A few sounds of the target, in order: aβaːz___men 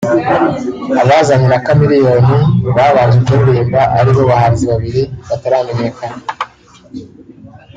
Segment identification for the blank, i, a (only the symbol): a